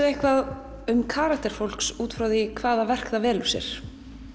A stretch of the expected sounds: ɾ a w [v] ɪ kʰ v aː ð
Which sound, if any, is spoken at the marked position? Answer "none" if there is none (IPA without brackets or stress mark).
ð